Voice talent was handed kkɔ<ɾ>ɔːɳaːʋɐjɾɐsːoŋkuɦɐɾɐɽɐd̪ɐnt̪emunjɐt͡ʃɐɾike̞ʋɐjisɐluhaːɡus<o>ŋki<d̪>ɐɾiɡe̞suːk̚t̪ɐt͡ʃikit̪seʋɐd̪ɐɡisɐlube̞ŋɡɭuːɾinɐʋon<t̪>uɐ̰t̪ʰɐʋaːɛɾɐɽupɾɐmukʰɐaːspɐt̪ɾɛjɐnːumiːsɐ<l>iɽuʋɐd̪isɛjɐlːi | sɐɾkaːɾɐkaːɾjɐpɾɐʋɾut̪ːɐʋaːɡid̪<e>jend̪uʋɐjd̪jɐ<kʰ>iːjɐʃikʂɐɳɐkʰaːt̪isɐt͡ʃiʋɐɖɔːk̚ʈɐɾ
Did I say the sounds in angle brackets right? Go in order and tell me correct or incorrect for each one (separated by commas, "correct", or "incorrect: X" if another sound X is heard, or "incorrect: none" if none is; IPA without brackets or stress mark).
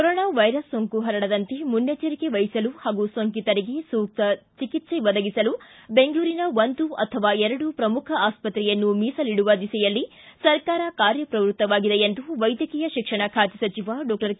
correct, correct, incorrect: t̪, incorrect: d̪, correct, correct, incorrect: k